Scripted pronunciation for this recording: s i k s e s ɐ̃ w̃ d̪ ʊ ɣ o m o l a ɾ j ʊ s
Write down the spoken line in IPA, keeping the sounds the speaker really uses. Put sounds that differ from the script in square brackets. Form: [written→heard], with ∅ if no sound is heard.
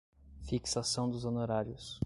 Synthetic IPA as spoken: [s→f] i k s [e→a] s ɐ̃ w̃ d̪ ʊ [ɣ→z] o [m→n] o [l→ɾ] a ɾ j ʊ s